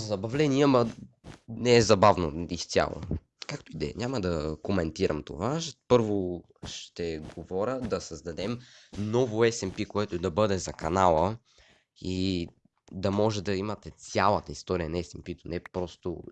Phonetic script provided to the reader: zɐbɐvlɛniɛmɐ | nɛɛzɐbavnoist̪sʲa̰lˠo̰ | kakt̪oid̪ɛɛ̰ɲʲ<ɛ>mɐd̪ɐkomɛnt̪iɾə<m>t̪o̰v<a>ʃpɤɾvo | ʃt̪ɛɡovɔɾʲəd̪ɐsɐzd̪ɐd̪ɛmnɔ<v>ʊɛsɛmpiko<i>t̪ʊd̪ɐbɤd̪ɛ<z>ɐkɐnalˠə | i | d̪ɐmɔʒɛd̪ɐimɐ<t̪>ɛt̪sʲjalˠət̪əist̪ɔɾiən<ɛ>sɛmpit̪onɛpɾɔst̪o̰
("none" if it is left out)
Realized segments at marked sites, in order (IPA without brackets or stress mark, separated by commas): a, m, a, v, ɛ, z, t̪, ɛ